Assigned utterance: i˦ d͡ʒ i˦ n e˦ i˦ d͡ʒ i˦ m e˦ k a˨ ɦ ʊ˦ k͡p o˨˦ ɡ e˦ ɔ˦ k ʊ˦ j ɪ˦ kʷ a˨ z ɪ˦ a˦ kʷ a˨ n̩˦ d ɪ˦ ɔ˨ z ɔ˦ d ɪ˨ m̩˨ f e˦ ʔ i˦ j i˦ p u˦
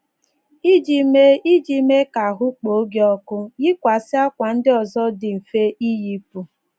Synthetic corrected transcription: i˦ d͡ʒ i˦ m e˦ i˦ d͡ʒ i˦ m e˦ k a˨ ɦ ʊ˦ k͡p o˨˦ ɡ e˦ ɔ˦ k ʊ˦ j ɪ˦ kʷ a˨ s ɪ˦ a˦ kʷ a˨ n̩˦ d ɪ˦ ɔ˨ z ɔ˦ d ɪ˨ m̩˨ f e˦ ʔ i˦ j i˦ p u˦